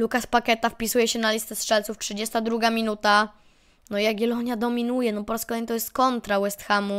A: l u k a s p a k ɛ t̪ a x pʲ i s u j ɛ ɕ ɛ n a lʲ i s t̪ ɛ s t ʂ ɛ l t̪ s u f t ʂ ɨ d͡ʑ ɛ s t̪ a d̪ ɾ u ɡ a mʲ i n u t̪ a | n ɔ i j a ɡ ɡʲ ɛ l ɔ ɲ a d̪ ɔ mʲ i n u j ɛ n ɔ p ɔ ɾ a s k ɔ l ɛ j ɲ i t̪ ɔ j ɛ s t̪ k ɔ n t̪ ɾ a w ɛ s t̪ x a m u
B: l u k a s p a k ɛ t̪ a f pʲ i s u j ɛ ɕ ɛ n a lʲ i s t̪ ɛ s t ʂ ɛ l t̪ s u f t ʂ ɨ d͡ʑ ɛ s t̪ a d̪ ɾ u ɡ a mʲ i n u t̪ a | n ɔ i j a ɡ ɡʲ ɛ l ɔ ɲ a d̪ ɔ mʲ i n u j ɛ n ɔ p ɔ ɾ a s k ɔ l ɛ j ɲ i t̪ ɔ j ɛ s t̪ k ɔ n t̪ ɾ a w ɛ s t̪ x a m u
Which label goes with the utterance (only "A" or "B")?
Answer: B